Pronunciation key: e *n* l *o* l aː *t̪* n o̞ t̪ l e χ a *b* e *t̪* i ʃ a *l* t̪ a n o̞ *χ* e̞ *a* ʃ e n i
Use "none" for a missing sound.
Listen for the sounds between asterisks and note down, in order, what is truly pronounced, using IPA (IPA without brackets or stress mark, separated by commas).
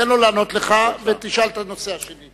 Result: n, o, none, v, t̪, l, s, a